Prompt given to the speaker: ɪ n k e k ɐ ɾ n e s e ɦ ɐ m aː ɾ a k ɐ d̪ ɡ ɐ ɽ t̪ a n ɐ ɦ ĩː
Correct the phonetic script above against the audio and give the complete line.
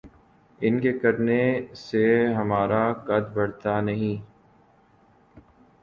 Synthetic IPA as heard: ɪ n k e k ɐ ɾ n e s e ɦ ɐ m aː ɾ a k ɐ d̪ b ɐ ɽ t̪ a n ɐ ɦ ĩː